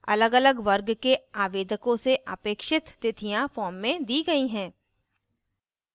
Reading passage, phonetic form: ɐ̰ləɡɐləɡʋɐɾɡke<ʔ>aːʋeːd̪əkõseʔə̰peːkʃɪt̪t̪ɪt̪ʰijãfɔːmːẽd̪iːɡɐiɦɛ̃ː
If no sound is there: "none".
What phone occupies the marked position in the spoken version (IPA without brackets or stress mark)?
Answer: none